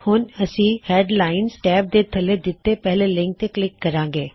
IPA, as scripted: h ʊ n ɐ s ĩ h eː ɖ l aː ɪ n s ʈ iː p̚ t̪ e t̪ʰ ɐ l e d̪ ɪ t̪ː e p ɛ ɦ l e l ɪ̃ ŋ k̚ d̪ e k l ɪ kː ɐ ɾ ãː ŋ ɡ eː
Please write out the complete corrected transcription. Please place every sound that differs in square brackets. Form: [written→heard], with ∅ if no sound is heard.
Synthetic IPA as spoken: h ʊ n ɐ s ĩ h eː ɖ l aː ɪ n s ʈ [iː→ɛː] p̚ [t̪→d̪] e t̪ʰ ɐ l e d̪ ɪ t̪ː e p ɛ ɦ l e l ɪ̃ ŋ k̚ [d̪→t̪] e k l ɪ kː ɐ ɾ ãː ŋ ɡ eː